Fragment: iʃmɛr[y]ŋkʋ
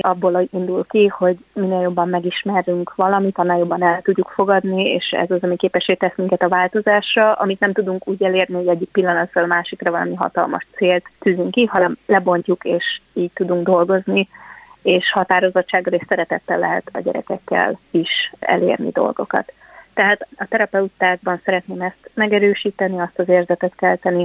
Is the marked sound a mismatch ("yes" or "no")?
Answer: no